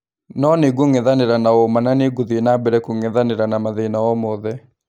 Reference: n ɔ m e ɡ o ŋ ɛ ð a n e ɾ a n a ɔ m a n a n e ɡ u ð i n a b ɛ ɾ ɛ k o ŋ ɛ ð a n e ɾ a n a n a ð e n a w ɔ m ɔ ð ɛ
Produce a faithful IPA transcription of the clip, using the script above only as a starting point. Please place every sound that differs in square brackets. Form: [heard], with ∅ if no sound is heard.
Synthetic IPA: n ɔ [n] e ɡ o ŋ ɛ ð a n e ɾ a n a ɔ m a n a n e ɡ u ð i n a b ɛ ɾ ɛ k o ŋ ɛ ð a n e ɾ a n a [m] a ð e n a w ɔ m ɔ ð ɛ